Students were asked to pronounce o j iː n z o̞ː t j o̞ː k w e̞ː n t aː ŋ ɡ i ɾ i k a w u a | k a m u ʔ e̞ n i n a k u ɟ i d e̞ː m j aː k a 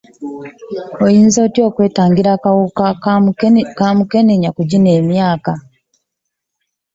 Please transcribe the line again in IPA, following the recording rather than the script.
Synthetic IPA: o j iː n z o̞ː t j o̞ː k w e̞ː t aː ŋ ɡ i ɾ a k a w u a | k a m u k e̞ n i ɲ a k u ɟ i n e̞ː m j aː k a